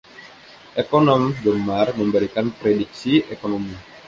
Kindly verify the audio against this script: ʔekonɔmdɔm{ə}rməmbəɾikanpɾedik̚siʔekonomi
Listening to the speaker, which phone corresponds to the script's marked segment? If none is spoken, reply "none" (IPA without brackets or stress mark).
a